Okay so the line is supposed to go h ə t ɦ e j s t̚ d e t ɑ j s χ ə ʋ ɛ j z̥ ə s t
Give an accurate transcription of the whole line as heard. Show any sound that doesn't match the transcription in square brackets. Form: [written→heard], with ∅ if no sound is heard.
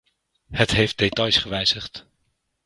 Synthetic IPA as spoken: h ə t ɦ e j [s→f] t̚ d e t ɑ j s χ ə ʋ ɛ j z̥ ə [s→χ] t